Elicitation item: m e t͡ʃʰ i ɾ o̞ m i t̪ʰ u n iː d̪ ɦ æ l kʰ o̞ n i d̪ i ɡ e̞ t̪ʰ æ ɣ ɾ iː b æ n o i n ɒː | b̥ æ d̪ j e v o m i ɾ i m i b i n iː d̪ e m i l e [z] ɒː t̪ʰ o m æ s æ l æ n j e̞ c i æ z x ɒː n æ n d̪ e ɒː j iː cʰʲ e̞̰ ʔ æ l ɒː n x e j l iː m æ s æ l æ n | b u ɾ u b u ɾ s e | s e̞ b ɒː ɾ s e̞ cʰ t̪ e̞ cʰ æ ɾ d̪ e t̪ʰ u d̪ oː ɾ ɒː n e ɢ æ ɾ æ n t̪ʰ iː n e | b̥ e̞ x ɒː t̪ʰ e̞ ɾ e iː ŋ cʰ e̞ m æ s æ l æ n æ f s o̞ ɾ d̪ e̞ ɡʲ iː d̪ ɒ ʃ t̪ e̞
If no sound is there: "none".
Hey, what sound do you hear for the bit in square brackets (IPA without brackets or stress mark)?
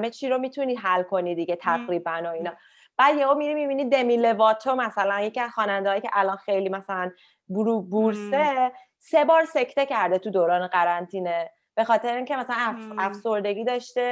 v